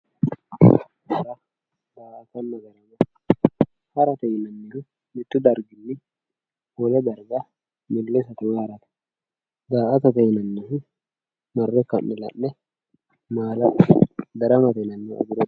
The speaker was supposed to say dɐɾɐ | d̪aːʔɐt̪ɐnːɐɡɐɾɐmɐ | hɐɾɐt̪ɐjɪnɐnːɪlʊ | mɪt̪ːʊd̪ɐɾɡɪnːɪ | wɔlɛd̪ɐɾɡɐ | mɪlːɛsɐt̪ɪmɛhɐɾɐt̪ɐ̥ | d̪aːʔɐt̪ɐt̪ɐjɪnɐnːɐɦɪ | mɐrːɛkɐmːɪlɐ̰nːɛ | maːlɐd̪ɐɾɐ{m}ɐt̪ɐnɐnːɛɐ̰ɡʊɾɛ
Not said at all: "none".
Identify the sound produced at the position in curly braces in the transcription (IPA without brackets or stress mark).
m